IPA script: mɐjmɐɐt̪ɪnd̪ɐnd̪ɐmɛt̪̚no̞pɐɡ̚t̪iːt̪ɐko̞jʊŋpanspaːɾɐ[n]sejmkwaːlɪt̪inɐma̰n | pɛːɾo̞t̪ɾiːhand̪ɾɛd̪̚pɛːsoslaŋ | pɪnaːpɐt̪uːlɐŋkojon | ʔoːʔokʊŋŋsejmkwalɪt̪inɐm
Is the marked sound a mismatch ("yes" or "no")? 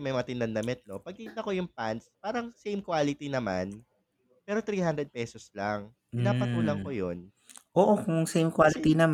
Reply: yes